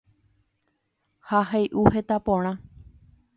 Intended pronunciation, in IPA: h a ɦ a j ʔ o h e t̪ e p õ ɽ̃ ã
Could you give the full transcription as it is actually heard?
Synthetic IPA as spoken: h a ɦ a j ʔ u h e t̪ a p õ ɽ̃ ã

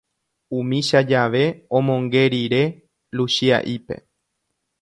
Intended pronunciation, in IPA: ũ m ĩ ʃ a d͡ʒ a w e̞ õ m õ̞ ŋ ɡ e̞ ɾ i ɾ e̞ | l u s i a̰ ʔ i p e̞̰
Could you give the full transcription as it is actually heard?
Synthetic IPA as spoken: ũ m ĩ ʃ a d͡ʒ a ʋ e̞ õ m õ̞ ŋ ɡ e̞ ɾ i ɾ e̞ | l u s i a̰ ʔ i p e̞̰

